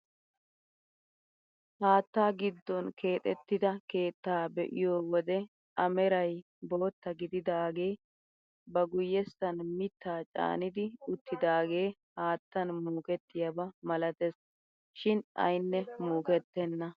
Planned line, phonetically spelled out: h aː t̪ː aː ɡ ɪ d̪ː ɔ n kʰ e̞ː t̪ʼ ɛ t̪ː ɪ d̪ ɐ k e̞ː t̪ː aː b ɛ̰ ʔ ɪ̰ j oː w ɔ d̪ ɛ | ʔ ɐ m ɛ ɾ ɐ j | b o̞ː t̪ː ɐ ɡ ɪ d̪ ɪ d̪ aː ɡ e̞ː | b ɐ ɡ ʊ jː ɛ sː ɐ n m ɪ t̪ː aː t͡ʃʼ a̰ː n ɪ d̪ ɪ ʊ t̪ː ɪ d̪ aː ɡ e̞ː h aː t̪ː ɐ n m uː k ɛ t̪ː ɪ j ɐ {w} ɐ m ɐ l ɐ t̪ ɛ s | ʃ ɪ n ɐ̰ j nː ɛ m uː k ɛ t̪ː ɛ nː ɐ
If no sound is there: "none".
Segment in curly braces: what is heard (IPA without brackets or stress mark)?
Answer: b